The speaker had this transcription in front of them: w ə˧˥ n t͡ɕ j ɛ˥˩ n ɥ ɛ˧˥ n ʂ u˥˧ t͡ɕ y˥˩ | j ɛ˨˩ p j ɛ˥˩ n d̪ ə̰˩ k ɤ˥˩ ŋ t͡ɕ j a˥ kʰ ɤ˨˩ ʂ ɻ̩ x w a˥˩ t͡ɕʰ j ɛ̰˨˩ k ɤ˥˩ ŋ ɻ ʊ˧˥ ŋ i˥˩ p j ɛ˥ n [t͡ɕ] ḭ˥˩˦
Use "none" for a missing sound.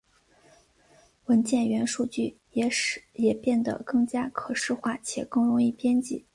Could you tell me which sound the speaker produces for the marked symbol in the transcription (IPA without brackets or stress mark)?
t͡ɕ